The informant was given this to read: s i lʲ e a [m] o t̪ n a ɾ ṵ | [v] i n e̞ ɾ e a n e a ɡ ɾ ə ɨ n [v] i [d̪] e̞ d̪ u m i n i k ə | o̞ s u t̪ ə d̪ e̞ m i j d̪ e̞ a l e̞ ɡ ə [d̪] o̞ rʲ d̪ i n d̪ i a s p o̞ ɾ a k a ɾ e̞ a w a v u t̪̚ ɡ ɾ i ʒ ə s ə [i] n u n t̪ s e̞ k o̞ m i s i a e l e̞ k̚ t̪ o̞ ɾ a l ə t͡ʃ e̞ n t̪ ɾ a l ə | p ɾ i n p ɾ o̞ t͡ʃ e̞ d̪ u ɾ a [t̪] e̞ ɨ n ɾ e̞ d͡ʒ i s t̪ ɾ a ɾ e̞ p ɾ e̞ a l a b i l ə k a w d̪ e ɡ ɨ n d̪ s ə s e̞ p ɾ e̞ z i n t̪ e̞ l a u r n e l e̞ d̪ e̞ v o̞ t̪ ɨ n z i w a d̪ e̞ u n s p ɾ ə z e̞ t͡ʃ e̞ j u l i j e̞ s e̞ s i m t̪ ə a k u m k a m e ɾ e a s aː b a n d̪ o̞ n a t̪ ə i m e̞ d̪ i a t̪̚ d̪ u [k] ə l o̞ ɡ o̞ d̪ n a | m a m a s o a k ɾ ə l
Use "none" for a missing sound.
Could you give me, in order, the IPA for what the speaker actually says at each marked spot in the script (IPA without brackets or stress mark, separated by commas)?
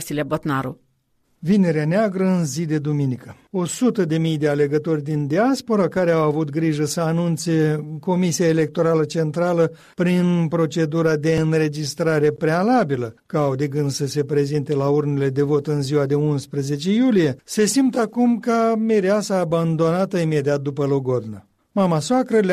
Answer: b, v, z, d̪, t̪, a, d̪, p